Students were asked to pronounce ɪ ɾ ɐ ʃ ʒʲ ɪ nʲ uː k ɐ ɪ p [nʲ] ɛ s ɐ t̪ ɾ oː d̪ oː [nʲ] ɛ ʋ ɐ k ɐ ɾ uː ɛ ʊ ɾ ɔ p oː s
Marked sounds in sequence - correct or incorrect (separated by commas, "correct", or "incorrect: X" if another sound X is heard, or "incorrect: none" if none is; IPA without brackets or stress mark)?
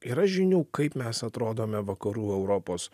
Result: incorrect: mʲ, incorrect: mʲ